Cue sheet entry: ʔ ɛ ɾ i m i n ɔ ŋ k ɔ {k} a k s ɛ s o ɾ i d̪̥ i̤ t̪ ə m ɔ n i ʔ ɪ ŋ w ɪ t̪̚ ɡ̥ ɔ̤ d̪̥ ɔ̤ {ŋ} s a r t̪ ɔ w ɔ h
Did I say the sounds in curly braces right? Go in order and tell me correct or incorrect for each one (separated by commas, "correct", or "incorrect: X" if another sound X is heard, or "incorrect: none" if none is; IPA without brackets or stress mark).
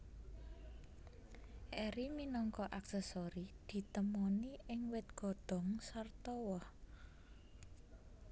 incorrect: ʔ, correct